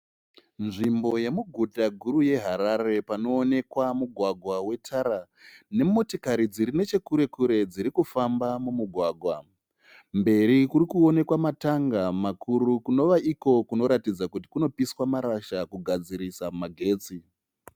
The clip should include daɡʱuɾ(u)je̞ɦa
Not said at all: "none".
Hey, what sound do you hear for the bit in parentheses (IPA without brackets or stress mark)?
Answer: u